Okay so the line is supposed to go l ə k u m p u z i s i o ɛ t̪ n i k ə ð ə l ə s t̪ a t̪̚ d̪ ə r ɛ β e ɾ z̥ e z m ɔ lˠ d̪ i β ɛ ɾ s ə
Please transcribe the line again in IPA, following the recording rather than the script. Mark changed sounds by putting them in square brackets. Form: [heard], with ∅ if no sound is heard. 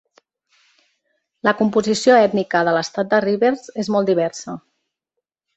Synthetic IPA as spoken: l ə k u m p u z i s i o ɛ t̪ n i k ə ð ə l ə s t̪ a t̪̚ d̪ ə r [i] β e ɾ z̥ e z m ɔ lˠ d̪ i β ɛ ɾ s ə